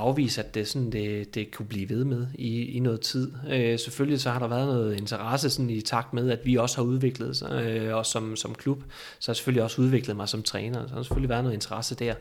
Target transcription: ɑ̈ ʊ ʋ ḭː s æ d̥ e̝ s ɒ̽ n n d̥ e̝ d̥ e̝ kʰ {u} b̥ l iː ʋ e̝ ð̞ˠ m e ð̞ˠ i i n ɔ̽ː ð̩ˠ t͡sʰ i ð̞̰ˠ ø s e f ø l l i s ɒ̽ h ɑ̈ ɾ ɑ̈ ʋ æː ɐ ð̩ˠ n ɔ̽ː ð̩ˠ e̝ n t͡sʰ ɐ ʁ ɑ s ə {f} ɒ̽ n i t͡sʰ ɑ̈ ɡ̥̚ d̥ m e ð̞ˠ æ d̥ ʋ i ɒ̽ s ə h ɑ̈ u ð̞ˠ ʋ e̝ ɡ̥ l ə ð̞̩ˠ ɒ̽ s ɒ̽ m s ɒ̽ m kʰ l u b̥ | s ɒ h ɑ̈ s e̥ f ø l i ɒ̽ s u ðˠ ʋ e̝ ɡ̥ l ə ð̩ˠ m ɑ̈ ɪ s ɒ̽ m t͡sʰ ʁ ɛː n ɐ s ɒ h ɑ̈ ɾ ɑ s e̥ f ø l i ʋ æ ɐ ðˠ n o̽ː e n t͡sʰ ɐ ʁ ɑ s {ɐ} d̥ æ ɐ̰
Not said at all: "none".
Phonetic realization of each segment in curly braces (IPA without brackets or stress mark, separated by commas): u, s, ə